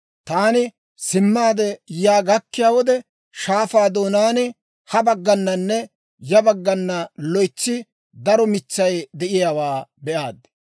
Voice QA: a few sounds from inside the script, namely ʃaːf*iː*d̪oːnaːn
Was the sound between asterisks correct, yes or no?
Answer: no